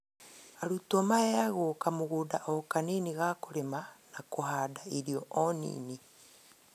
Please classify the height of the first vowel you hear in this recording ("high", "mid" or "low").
low